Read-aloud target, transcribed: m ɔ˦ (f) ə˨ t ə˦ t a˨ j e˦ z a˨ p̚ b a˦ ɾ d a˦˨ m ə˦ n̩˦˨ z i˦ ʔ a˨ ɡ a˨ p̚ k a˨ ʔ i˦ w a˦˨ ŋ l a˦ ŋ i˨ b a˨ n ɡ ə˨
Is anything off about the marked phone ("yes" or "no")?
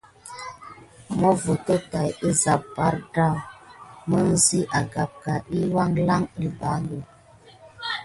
yes